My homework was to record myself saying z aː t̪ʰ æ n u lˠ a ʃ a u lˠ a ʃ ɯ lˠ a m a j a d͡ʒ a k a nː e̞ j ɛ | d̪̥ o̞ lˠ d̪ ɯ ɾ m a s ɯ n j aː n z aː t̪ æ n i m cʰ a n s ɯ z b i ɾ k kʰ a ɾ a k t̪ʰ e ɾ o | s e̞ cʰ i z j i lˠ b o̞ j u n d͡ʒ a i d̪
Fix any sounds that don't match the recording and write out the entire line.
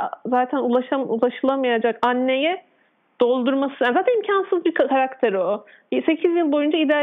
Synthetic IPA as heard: z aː t̪ʰ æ n u lˠ a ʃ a u lˠ a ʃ ɯ lˠ a m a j a d͡ʒ a k a nː e̞ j ɛ | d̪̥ o̞ lˠ d̪ u ɾ m a s ɯ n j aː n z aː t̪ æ n i m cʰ a n s ɯ z b i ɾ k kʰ a ɾ a k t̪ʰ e ɾ o | s e̞ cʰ i z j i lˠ b o̞ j u n d͡ʒ a i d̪